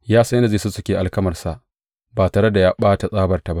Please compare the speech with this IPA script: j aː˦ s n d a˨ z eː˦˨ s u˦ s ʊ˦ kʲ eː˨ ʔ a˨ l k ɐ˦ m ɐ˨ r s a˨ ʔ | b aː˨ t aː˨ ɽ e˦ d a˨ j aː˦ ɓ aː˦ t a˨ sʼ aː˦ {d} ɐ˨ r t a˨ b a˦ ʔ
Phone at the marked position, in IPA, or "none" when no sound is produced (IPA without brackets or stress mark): b